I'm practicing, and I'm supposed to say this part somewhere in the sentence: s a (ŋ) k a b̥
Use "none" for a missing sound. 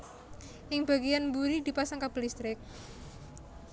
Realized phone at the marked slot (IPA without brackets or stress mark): ŋ